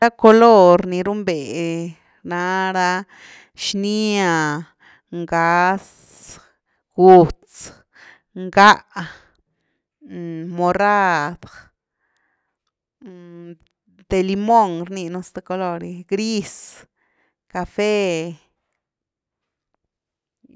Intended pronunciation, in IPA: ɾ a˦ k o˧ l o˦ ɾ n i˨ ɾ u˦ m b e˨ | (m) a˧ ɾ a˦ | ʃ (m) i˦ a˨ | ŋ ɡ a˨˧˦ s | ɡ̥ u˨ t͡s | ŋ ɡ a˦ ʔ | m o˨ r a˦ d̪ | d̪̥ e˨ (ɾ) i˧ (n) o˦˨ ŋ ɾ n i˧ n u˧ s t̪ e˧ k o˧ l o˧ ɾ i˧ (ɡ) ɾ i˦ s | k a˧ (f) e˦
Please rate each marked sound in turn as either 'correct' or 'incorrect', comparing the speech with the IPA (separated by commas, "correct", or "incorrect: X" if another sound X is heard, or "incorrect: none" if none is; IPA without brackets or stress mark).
incorrect: n, incorrect: n, incorrect: l, incorrect: m, correct, correct